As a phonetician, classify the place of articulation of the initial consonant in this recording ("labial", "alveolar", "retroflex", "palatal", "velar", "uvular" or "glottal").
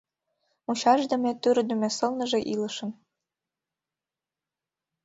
labial